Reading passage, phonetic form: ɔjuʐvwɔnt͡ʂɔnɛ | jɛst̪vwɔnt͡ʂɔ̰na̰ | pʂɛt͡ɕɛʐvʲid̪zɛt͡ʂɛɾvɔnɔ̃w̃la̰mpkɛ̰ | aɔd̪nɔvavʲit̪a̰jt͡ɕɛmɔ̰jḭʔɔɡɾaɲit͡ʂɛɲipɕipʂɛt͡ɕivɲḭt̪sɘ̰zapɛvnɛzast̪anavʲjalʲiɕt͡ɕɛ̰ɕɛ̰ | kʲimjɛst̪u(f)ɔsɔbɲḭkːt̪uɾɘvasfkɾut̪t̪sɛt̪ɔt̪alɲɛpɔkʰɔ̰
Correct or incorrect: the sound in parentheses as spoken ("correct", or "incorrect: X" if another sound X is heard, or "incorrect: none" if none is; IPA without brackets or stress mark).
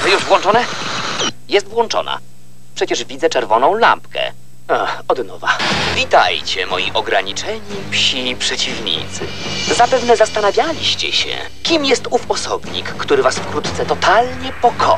correct